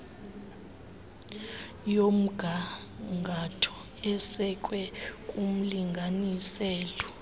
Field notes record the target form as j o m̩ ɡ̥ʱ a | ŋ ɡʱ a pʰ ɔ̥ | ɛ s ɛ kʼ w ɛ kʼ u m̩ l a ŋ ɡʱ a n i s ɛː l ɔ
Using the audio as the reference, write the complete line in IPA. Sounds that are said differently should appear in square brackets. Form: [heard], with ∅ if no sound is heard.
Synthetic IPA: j o m̩ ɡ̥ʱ a | ŋ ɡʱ a [tʰ] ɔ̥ | ɛ s ɛ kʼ w ɛ kʼ u m̩ l [i] ŋ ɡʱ a n i s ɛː l ɔ